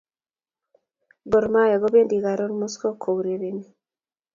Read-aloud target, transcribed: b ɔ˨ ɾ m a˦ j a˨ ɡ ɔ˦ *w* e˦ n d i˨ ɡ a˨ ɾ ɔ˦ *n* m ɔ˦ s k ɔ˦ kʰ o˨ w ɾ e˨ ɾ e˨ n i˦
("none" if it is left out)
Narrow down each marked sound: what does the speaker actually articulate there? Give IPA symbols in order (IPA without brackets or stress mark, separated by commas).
b, n